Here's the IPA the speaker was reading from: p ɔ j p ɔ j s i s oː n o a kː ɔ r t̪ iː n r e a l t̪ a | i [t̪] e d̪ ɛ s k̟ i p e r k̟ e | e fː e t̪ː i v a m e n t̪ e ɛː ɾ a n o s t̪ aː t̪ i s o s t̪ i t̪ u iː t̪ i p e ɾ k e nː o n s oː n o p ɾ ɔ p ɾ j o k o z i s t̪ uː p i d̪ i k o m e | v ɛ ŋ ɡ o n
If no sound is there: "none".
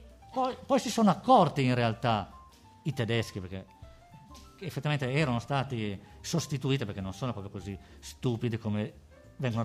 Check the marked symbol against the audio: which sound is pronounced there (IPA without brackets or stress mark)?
t̪